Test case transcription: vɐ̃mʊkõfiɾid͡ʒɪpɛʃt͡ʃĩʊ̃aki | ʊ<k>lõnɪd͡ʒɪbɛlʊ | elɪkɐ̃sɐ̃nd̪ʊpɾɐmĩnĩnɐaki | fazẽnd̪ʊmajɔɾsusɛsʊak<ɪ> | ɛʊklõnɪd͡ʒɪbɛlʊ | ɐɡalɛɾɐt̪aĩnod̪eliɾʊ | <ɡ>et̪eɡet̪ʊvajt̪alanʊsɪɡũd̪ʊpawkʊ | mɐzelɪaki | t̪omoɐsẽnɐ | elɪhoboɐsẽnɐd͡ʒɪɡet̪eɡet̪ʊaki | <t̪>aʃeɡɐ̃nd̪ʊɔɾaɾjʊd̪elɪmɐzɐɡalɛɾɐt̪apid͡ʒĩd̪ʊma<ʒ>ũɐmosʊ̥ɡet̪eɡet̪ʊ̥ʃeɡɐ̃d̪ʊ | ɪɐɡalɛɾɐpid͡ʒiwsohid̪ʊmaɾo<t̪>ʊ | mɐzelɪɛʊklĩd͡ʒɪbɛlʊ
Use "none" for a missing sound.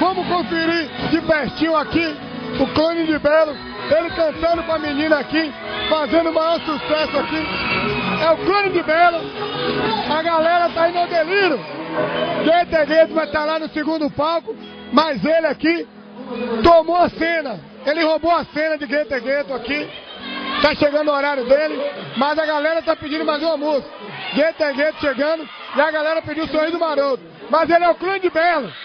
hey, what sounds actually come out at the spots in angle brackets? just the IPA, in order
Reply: k, i, ɡ, t̪, z, t̪

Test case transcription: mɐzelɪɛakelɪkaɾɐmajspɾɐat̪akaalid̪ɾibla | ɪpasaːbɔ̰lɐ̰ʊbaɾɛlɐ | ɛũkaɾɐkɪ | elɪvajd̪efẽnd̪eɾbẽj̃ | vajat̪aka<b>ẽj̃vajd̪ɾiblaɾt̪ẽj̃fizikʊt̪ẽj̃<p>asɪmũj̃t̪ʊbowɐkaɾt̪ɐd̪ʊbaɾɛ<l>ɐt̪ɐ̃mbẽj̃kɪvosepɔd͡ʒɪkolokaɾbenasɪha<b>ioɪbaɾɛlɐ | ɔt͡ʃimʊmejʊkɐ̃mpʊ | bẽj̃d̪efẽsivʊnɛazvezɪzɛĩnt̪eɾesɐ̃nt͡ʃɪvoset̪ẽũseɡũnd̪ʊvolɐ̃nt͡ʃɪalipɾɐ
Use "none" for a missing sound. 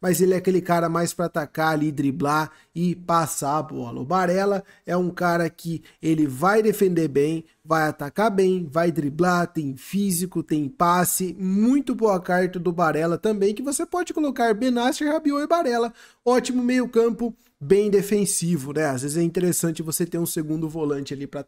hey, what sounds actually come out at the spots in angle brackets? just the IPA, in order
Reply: b, p, l, b

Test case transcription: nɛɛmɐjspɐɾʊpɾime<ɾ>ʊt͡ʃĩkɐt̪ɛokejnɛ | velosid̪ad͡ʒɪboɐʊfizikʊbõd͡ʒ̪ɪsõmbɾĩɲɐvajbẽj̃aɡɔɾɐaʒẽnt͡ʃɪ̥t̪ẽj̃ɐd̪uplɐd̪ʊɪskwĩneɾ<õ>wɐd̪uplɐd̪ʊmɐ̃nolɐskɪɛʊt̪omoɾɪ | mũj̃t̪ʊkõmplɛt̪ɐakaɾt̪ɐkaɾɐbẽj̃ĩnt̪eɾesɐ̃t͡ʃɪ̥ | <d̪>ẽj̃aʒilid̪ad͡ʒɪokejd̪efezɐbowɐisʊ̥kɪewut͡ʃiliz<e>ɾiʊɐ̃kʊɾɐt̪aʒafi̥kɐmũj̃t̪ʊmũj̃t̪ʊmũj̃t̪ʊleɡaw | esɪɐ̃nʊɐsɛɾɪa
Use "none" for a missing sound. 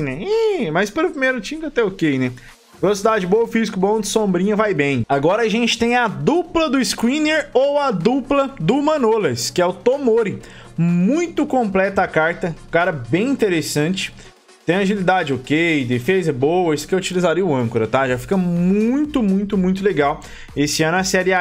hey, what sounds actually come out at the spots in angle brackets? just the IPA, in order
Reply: ɾ, o, t̪, a

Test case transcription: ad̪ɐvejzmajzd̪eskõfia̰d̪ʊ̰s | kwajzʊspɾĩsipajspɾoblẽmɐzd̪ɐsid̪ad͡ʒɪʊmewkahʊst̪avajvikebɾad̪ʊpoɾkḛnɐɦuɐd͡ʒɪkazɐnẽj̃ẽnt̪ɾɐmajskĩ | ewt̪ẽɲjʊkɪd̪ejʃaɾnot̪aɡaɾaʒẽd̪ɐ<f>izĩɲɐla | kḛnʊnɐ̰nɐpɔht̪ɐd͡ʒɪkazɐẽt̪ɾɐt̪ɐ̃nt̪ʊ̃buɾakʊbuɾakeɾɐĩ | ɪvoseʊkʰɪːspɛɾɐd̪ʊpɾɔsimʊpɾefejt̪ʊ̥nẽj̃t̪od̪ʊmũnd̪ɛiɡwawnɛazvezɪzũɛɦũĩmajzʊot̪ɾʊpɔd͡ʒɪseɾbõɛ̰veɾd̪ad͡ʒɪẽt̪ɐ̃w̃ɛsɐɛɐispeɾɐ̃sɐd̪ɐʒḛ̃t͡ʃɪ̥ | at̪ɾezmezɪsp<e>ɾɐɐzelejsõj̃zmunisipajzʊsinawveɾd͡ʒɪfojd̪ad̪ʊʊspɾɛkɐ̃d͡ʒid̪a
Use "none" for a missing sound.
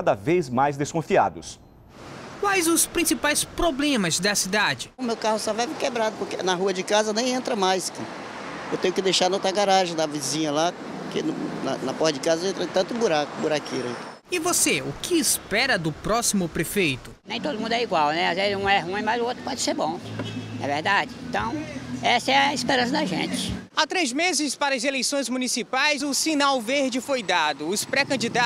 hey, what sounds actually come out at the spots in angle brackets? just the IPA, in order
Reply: v, a

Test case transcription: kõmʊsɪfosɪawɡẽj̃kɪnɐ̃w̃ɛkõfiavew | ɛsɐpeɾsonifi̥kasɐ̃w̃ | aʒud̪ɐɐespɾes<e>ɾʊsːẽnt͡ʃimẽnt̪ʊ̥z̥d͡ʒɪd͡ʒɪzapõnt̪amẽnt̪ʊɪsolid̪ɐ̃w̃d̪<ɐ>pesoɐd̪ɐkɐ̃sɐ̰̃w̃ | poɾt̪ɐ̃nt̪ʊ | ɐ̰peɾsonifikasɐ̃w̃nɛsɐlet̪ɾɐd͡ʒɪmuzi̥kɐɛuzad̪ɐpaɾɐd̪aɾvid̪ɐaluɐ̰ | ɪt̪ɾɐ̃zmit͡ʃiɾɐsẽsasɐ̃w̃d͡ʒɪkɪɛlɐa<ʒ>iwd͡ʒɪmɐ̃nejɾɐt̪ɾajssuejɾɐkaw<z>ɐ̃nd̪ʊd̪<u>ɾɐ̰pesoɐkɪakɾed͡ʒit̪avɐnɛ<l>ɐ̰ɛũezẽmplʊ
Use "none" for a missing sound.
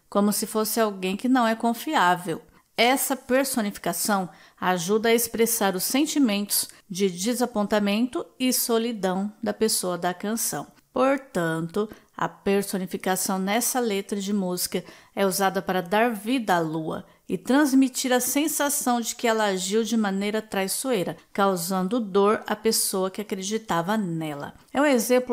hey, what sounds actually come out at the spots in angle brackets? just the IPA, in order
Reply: a, ɐ, ʒ, z, o, l

